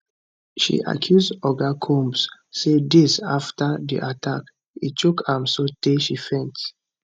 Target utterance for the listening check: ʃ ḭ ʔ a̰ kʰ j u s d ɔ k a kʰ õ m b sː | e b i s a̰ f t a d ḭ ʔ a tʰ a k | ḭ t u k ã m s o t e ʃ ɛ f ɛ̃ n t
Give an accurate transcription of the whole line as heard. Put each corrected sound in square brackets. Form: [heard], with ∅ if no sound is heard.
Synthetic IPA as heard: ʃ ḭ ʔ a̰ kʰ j u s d ɔ [ɡ] a kʰ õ m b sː | e [d] i s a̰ f t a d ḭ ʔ a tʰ a k | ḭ [t͡ʃ] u k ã m s o t e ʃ [i] f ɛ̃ n t